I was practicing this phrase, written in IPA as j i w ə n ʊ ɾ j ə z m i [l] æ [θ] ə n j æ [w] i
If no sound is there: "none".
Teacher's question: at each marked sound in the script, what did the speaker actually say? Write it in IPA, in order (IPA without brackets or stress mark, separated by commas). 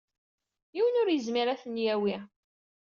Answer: ɾ, θ, w